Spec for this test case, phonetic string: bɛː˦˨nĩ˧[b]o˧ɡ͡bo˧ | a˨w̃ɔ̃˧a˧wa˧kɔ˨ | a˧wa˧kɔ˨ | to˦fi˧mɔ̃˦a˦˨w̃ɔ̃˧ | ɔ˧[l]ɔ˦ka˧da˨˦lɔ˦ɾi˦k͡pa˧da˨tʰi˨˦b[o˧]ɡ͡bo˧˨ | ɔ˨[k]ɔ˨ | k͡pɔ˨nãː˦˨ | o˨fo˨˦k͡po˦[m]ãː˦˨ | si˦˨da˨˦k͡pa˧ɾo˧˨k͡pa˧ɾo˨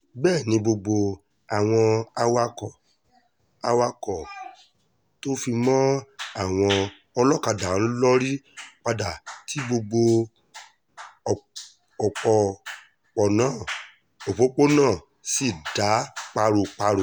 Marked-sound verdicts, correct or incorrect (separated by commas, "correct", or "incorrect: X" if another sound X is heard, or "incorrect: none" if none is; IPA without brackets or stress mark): correct, correct, correct, incorrect: k͡p, incorrect: n